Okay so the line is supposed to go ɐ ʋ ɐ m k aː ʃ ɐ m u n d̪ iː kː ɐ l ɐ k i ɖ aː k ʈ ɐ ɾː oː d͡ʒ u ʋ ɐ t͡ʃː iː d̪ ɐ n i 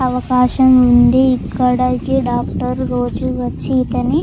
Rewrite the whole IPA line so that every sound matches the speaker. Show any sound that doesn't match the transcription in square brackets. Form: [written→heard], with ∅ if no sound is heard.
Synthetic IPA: ɐ ʋ ɐ [m→∅] k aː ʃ ɐ m u n d̪ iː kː ɐ [l→ɽ] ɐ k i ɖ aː k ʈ ɐ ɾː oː d͡ʒ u ʋ ɐ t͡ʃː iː [d̪→t̪] ɐ n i

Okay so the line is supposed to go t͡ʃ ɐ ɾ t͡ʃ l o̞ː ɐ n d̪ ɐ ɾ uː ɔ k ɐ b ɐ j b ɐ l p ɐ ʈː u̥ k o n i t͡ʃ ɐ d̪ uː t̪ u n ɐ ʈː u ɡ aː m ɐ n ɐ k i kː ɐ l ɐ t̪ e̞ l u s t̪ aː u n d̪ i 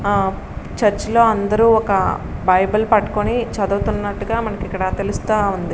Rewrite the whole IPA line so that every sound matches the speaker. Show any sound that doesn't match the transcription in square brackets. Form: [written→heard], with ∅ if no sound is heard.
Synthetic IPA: t͡ʃ ɐ ɾ t͡ʃ l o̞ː ɐ n d̪ ɐ ɾ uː ɔ k ɐ b ɐ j b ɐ l p ɐ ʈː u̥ k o n i t͡ʃ ɐ d̪ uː t̪ u [n→nː] ɐ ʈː u ɡ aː m ɐ n ɐ k i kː ɐ [l→ɽ] ɐ t̪ e̞ l u s t̪ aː u n d̪ i

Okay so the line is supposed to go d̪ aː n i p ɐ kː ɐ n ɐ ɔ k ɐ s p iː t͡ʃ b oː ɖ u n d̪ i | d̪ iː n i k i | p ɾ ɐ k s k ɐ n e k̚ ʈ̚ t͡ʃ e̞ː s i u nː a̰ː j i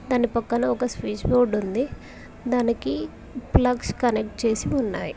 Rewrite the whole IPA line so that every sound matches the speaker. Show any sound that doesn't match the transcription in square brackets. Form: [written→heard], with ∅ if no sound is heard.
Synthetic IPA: d̪ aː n i p ɐ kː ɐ n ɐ ɔ k ɐ s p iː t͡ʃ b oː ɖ u n d̪ i | d̪ [iː→aː] n i k i | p [ɾ→l] ɐ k s k ɐ n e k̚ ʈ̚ t͡ʃ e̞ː s i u nː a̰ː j i

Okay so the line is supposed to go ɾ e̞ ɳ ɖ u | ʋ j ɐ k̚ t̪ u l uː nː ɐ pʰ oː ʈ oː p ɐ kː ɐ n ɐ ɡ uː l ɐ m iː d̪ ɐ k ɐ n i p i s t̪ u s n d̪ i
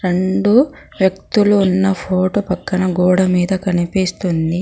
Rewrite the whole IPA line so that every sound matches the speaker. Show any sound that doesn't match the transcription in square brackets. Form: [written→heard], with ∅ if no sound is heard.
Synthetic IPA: ɾ e̞ ɳ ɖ u | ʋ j ɐ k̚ t̪ u l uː nː ɐ pʰ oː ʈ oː p ɐ kː ɐ n ɐ ɡ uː [l→ɽ] ɐ m iː d̪ ɐ k ɐ n i p i s t̪ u [s→∅] n d̪ i

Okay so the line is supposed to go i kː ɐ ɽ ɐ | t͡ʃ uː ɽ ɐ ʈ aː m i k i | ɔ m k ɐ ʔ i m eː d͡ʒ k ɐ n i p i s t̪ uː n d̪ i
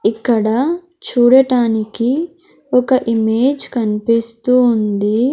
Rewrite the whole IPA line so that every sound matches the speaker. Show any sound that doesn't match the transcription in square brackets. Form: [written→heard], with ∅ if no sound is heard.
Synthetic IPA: i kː ɐ ɽ ɐ | t͡ʃ uː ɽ ɐ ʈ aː [m→n] i k i | ɔ [m→∅] k ɐ ʔ i m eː d͡ʒ k ɐ n i p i s t̪ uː n d̪ i

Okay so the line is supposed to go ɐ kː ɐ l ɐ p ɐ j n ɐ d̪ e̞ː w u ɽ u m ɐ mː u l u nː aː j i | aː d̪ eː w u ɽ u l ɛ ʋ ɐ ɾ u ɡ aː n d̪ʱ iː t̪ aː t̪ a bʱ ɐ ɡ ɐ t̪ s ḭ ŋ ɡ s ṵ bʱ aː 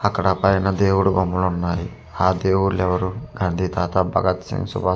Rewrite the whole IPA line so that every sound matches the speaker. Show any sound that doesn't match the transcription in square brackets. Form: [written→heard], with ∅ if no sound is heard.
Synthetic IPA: ɐ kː ɐ [l→ɽ] ɐ p ɐ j n ɐ d̪ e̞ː w u ɽ u [m→b] ɐ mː u l u nː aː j i | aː d̪ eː w u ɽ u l ɛ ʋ ɐ ɾ u ɡ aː n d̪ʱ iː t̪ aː t̪ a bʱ ɐ ɡ ɐ t̪ s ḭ ŋ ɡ s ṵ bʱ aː

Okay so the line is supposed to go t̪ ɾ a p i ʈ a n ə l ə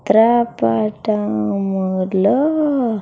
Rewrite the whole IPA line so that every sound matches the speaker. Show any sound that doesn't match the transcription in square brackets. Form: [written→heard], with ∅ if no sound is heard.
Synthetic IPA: t̪ ɾ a p [i→a] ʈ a [n→m] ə l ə

